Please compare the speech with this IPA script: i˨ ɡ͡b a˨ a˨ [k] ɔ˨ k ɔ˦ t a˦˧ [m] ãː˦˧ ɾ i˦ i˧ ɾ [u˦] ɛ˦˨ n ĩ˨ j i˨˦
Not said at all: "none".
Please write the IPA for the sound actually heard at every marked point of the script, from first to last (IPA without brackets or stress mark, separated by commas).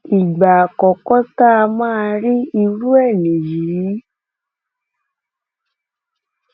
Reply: k, m, u˦